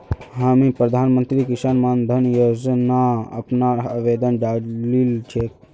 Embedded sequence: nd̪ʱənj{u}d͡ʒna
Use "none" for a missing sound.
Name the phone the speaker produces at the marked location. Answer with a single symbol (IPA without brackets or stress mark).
o